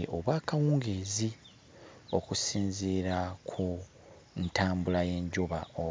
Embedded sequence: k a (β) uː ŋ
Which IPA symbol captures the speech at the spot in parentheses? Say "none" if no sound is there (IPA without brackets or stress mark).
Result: w